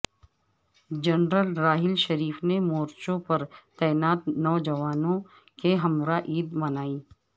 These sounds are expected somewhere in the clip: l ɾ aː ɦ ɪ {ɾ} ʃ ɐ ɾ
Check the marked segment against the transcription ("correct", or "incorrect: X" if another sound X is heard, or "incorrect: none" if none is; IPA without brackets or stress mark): incorrect: l